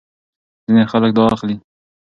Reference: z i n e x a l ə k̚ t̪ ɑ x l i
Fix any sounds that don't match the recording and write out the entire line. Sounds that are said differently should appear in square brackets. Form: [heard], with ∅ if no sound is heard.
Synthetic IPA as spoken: z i n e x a l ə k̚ [d̪] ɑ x l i